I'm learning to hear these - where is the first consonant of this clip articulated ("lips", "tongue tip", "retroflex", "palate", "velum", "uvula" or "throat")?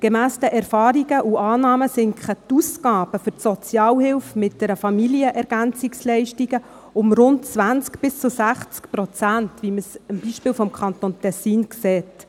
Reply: velum